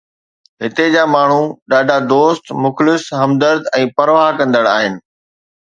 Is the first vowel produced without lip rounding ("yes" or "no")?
yes